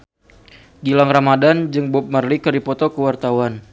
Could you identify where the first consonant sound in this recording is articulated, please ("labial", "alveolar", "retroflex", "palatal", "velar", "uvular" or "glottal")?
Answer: velar